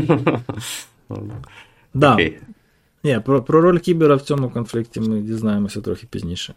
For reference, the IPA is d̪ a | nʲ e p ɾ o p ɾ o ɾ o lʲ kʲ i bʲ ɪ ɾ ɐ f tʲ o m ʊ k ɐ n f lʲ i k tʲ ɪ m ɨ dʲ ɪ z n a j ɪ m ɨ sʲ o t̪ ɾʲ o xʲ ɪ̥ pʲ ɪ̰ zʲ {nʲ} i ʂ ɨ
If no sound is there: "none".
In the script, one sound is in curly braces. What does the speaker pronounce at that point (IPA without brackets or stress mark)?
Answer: nʲ